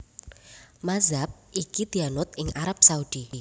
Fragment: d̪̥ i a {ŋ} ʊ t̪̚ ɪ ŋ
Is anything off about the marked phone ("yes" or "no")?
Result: yes